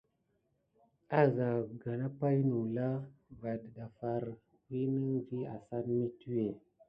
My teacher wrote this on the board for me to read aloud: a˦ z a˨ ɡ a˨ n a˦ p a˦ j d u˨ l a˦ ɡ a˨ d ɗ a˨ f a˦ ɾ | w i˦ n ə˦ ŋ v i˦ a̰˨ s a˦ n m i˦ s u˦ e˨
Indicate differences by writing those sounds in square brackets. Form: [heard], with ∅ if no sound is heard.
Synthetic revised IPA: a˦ z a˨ ɡ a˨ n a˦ p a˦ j [n] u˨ l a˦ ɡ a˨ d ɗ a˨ f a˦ ɾ | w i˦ n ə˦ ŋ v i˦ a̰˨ s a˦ n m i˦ [t] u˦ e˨

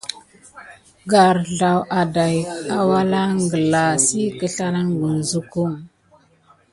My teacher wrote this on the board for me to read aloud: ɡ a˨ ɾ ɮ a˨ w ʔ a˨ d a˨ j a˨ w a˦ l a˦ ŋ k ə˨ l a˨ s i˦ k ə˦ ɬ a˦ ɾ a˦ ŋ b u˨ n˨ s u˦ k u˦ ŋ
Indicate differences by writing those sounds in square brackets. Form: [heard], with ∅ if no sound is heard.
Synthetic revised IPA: ɡ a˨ ɾ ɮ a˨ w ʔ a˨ d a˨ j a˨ w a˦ l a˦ ŋ [ɡ] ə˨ l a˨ s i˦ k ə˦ ɬ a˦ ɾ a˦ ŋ [ɡ] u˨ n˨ [z] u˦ k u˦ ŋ

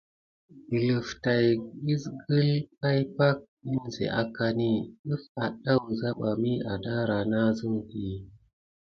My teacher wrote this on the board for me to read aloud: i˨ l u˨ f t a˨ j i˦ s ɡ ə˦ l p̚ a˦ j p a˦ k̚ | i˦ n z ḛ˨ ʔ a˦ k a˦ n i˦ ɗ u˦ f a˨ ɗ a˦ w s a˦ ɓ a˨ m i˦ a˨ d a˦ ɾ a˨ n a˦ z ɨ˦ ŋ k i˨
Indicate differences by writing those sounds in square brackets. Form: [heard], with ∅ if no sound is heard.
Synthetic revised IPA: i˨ l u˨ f t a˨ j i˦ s ɡ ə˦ l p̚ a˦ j p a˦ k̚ | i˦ n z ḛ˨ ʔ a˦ k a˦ n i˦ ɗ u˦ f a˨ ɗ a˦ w [z] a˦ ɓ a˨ m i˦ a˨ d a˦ ɾ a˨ n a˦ z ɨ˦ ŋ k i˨

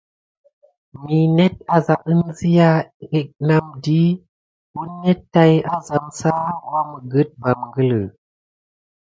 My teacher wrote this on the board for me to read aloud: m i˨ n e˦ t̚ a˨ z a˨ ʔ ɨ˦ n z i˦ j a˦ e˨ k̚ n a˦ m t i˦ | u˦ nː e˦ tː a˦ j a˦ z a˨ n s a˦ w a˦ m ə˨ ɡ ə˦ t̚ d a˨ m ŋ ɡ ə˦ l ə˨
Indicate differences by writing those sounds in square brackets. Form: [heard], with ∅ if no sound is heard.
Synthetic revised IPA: m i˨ n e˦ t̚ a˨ z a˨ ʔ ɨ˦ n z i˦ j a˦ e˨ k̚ n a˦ m [d] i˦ | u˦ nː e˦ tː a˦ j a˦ z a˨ [m] s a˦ w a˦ m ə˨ ɡ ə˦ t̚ [b] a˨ m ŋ ɡ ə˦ l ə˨

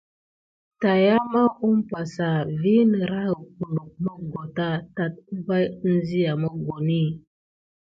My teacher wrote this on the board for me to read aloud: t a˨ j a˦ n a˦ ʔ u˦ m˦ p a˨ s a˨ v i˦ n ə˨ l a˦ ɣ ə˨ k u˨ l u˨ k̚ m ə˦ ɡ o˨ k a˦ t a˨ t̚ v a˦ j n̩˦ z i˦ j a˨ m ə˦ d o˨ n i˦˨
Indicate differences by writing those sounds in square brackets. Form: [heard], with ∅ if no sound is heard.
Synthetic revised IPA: t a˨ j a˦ [m] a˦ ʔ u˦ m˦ p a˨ s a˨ v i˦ n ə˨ [ɾ] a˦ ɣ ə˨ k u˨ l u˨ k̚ m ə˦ ɡ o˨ [t] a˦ t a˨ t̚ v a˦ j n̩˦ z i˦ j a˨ m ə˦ [ɡ] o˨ n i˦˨

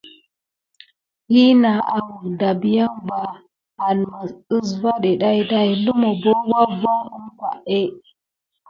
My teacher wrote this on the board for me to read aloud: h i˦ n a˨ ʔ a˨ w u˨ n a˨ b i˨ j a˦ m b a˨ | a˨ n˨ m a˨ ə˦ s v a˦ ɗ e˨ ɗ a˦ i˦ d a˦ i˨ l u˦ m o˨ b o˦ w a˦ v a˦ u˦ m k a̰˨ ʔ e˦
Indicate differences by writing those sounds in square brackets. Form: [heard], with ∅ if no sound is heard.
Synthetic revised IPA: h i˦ n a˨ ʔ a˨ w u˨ [d] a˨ b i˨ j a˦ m b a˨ | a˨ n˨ m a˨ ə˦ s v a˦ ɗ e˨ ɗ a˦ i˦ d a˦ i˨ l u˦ m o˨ b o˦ w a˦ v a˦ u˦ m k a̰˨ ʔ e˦

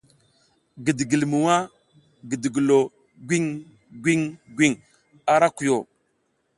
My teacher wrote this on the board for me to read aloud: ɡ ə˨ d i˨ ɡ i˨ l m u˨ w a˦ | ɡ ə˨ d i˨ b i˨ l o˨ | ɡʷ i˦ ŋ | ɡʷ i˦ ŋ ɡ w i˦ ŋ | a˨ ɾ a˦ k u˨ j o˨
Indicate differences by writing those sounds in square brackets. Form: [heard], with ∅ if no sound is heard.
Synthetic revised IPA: ɡ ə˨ d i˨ ɡ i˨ l m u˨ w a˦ | ɡ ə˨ d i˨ [ɡ] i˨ l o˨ | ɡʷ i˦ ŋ | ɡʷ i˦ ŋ ɡ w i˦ ŋ | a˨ ɾ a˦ k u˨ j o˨

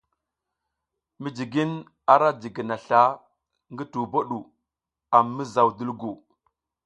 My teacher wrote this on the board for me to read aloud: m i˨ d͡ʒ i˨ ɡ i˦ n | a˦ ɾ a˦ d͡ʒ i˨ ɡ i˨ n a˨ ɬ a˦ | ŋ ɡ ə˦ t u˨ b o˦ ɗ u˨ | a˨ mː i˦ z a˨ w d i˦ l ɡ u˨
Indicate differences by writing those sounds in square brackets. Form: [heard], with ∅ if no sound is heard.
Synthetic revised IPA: m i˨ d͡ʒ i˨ ɡ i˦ n | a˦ ɾ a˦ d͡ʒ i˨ ɡ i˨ n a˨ ɬ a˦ | ŋ ɡ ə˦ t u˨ b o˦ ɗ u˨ | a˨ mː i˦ z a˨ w d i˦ l ɡ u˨

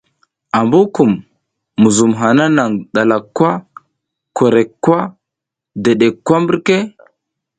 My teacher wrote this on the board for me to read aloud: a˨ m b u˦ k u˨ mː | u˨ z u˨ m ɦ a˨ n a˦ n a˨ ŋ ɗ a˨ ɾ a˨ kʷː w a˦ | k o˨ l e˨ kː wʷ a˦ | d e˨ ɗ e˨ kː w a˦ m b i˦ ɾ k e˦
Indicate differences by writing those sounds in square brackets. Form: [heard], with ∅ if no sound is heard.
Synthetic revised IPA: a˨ m b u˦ k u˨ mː | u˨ z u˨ m ɦ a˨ n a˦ n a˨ ŋ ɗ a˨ [l] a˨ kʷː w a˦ | k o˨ [ɾ] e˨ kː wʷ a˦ | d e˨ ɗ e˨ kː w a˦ m b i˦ ɾ k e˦

